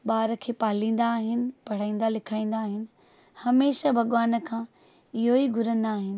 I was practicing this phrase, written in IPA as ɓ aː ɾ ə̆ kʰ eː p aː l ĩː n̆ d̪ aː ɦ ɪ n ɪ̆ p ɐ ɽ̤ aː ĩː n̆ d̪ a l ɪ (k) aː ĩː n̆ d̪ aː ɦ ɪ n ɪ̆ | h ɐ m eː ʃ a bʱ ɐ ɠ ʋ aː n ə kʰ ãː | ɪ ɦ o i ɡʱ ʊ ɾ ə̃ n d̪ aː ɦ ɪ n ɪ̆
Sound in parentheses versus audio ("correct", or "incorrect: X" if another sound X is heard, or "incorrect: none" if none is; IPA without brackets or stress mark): incorrect: kʰ